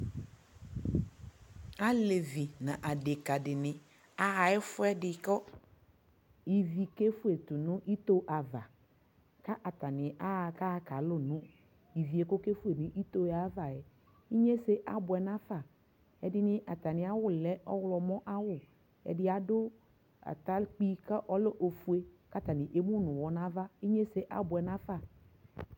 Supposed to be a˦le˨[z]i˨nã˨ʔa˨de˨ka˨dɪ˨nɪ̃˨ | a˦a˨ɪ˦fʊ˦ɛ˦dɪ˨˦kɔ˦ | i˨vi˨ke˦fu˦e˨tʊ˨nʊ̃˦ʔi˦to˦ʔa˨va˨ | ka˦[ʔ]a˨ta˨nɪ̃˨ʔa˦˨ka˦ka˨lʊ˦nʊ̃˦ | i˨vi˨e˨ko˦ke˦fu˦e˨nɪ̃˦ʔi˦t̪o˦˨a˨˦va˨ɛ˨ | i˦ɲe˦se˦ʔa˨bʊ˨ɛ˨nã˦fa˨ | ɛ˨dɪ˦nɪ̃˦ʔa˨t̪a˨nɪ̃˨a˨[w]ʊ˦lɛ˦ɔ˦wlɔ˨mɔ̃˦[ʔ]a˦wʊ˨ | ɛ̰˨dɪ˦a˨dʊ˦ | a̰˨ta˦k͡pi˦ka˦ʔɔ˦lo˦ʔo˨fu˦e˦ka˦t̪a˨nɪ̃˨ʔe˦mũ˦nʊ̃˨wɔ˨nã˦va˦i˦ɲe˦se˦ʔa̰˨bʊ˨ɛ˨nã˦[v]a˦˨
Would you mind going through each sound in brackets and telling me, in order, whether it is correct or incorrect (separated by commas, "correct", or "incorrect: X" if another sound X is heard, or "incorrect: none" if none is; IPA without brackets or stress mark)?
incorrect: v, correct, correct, correct, incorrect: f